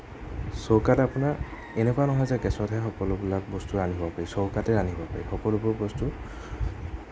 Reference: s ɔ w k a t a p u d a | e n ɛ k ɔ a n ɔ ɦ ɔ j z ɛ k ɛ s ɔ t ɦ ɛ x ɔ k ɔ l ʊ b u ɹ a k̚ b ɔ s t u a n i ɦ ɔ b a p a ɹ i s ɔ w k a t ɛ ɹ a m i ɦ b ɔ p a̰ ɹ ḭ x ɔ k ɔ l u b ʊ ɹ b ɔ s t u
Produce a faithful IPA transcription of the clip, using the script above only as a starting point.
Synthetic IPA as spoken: s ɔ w k a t a p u n a | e n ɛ k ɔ a n ɔ ɦ ɔ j z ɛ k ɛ s ɔ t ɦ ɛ x ɔ k ɔ l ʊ b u l a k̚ b ɔ s t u a n i ɦ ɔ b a p a ɹ i s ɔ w k a t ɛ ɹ a n i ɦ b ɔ p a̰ ɹ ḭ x ɔ k ɔ l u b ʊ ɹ b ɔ s t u